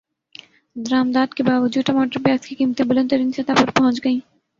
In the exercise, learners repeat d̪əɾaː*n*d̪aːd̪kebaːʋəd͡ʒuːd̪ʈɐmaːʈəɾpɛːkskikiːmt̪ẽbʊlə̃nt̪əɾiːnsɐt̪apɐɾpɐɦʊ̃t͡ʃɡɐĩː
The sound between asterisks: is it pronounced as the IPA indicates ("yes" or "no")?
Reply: no